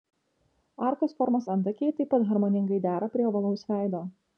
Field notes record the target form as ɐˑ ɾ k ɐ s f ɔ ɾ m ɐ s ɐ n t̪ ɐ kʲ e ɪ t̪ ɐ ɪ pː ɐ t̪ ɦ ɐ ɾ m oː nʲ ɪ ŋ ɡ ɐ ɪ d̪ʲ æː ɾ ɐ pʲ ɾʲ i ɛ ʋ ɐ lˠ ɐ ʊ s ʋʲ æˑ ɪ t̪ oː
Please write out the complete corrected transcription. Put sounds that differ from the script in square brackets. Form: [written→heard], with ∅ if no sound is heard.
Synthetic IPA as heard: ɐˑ ɾ k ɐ s f ɔ ɾ m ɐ s ɐ n t̪ ɐ kʲ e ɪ t̪ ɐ ɪ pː ɐ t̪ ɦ ɐ ɾ m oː nʲ ɪ ŋ ɡ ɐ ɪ d̪ʲ æː ɾ ɐ pʲ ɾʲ i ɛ ʋ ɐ lˠ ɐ ʊ s ʋʲ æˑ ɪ [t̪→d̪] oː